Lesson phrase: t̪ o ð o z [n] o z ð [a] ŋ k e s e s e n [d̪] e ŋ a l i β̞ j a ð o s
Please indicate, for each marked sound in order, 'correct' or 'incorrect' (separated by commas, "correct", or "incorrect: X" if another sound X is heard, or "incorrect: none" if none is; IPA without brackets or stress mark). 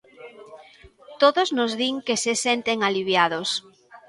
correct, incorrect: i, incorrect: t̪